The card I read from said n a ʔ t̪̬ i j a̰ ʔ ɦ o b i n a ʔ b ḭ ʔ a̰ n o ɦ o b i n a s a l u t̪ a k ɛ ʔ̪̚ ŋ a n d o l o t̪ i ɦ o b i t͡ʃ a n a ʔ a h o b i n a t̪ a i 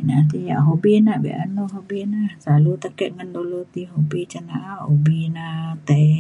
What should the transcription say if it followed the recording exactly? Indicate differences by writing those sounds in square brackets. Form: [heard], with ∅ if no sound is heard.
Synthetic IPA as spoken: n a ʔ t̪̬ i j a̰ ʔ ɦ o b i n a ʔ b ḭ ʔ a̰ n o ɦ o b i n a s a l u t̪ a k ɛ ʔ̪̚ ŋ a n d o l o t̪ i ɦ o b i t͡ʃ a n a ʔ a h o b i n a t̪ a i